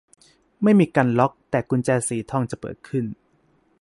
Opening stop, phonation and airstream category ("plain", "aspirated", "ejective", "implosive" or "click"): plain